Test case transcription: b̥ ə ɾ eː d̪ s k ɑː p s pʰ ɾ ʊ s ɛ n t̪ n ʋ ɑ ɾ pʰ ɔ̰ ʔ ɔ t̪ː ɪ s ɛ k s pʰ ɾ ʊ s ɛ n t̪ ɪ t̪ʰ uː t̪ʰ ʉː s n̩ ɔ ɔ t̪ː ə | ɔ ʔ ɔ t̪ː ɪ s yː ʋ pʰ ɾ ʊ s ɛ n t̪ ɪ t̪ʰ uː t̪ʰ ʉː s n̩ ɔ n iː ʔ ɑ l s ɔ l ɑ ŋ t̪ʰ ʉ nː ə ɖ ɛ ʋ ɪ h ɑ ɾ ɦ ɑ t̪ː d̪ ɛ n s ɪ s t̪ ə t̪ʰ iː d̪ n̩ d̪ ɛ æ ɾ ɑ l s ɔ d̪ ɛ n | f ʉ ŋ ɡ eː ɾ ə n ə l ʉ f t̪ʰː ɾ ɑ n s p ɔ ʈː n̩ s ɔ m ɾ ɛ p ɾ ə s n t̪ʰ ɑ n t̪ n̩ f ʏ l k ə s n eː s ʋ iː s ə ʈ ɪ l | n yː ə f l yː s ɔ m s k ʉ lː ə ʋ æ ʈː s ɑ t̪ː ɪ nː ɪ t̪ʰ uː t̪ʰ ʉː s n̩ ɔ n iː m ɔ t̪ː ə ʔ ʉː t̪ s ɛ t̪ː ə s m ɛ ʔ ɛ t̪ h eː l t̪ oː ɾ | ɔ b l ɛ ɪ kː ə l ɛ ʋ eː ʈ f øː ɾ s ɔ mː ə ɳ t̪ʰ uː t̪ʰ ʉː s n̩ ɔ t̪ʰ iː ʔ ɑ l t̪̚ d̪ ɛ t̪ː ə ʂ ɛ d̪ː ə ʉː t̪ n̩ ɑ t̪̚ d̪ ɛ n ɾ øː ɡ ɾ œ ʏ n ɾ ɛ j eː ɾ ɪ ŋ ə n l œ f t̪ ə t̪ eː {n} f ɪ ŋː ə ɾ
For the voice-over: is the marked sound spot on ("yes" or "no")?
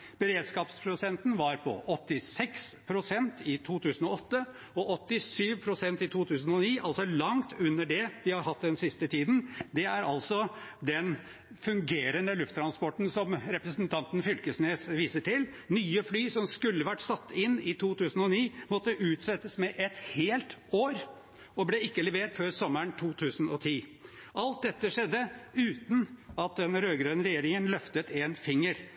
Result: yes